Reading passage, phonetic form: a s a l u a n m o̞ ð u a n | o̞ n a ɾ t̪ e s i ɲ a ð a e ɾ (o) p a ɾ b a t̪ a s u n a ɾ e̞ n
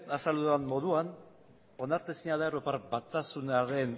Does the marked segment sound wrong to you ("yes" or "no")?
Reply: no